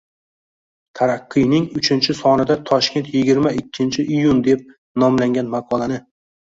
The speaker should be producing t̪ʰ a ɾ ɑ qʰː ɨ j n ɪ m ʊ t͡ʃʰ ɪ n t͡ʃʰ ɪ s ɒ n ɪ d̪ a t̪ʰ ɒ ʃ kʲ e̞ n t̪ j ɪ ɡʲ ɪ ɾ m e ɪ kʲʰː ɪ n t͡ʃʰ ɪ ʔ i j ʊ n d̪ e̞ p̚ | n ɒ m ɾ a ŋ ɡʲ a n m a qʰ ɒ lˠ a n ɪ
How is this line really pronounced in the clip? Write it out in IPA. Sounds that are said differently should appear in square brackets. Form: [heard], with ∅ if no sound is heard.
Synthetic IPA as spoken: t̪ʰ a ɾ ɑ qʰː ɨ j n ɪ [ŋ] ʊ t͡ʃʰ ɪ n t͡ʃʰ ɪ s ɒ n ɪ d̪ a t̪ʰ ɒ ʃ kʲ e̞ n t̪ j ɪ ɡʲ ɪ ɾ m [a] ɪ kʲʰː ɪ n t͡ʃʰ ɪ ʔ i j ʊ n d̪ e̞ p̚ | n ɒ m [l] a ŋ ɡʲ a n m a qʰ ɒ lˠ a n ɪ